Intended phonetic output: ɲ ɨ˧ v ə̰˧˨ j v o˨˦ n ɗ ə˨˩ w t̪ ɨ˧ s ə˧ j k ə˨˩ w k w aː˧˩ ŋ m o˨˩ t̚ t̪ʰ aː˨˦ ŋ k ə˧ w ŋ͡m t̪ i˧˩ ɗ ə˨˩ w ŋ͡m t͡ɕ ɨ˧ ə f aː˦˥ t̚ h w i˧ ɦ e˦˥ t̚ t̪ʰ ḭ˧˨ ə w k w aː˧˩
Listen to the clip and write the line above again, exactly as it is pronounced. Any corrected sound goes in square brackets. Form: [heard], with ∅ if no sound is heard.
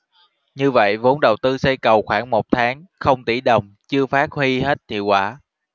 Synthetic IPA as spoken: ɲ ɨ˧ v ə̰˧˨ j v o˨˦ n ɗ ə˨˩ w t̪ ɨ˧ s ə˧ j k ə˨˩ w [x] w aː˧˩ ŋ m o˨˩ t̚ t̪ʰ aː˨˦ ŋ [x] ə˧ w ŋ͡m t̪ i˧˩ ɗ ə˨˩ w ŋ͡m t͡ɕ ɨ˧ ə f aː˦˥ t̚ h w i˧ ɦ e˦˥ t̚ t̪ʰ ḭ˧˨ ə w k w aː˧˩